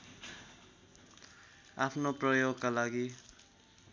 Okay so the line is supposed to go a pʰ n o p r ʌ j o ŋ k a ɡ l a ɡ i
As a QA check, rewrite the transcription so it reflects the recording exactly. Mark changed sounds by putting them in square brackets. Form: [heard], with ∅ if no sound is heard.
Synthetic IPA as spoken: a pʰ n o p r ʌ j o [ɡ] k a [∅] l a ɡ i